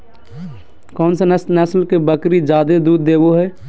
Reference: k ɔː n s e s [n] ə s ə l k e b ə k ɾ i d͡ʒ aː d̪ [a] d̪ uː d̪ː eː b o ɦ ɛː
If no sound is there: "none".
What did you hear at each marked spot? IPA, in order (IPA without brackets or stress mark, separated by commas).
n, e